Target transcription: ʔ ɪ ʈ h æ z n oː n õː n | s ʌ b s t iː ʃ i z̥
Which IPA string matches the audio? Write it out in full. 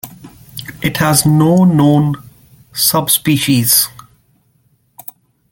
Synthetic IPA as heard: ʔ ɪ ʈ h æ z n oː n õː n | s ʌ b s p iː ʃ i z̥